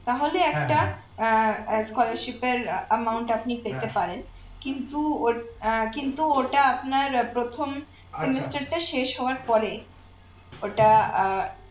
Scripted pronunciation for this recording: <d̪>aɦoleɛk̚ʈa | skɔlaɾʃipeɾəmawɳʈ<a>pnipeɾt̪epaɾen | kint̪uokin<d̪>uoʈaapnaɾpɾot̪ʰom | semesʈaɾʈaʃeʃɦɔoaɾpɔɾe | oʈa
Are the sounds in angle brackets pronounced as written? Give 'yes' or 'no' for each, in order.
no, yes, no

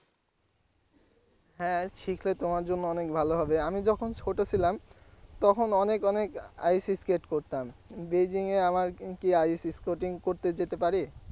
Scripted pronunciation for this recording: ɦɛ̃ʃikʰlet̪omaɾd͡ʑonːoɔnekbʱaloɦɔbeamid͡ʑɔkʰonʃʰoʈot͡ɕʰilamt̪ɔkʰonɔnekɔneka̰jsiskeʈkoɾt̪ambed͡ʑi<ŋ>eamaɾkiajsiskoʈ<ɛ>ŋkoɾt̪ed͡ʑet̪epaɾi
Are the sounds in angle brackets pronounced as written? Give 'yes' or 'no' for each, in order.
yes, no

